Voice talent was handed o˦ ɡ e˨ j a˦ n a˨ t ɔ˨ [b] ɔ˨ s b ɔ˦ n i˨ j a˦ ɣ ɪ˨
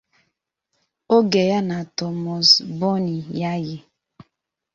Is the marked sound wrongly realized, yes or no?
yes